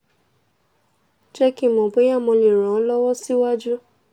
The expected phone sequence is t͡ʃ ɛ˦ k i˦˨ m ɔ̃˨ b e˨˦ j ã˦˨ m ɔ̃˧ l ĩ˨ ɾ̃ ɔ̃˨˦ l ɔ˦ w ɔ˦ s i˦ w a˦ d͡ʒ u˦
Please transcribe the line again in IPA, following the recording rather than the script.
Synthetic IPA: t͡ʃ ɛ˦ k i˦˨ m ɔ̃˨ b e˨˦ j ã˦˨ m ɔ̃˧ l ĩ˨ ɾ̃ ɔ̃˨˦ l ɔ˦ w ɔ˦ s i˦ w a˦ d͡ʒ u˦